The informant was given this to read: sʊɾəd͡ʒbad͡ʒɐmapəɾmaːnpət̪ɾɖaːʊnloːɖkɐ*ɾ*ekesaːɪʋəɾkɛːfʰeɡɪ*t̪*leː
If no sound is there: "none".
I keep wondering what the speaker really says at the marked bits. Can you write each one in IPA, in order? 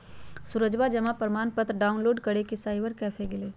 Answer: ɽ, none

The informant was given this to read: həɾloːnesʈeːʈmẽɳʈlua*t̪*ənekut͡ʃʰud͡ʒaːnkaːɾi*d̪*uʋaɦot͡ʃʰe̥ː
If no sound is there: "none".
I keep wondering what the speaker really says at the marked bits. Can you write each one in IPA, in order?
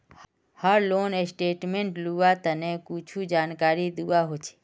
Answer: t̪, d̪

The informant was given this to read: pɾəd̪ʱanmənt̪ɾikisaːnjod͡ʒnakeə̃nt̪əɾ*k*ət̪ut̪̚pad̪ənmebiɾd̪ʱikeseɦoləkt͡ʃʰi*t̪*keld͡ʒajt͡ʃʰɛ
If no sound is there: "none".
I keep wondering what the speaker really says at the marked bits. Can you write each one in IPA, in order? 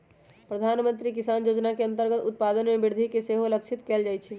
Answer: ɡ, t̪

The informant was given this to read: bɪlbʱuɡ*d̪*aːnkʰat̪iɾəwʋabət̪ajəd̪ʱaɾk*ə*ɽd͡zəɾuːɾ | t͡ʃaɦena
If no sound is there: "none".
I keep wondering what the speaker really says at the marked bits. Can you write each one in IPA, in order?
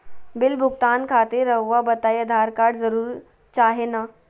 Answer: t̪, a

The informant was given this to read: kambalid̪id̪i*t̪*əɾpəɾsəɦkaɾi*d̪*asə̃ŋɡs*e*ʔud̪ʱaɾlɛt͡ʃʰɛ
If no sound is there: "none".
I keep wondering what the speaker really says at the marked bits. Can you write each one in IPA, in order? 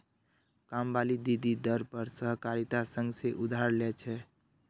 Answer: d̪, t̪, e

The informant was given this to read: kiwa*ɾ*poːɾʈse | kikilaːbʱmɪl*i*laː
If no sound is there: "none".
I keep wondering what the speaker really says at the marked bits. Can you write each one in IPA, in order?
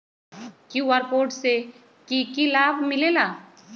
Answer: ɾ, e

